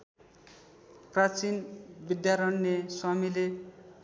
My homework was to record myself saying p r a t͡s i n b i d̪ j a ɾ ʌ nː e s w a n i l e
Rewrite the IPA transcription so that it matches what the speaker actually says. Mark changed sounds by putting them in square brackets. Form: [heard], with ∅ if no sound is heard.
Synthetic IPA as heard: p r a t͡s i n b i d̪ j a ɾ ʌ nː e s w a [m] i l e